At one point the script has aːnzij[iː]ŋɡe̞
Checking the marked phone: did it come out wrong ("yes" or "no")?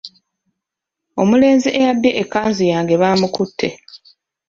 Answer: yes